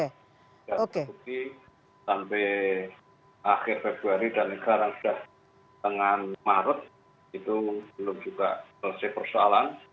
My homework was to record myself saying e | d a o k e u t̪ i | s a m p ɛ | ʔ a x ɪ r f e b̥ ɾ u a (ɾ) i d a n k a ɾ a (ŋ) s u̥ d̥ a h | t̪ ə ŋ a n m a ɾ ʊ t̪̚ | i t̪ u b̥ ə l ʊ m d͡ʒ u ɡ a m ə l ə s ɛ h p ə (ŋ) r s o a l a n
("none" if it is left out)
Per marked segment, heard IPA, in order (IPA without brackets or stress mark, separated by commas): ɾ, ŋ, none